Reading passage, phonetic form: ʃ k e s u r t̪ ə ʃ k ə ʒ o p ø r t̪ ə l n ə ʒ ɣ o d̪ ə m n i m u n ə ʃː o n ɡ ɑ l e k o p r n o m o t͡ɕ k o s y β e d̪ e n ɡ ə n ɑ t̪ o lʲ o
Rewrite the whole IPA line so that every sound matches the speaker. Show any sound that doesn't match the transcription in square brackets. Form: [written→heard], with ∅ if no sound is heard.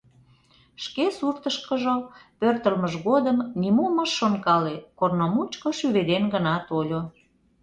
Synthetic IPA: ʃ k e s u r t̪ ə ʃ k ə ʒ o p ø r t̪ ə l [n→m] ə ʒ ɣ o d̪ ə m n i m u [n→m] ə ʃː o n [ɡ→k] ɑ l e k o [p→∅] r n o m [o→u] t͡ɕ k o [s→ʃ] y β e d̪ e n ɡ ə n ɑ t̪ o lʲ o